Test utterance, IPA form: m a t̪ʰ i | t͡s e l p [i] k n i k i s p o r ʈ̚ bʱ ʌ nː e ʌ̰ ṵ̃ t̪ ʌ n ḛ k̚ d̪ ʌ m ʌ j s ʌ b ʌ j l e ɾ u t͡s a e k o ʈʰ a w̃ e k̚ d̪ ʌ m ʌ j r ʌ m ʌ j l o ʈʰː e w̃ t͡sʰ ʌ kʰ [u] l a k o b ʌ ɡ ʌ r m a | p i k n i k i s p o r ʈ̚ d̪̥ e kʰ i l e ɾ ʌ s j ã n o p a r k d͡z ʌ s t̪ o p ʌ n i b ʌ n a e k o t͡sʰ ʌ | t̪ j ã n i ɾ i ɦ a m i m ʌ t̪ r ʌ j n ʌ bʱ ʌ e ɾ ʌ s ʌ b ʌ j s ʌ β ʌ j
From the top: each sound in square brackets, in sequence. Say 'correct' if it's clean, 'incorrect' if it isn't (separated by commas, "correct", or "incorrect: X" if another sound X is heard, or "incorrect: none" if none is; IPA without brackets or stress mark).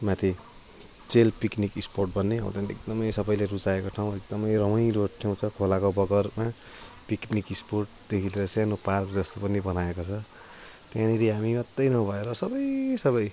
correct, incorrect: o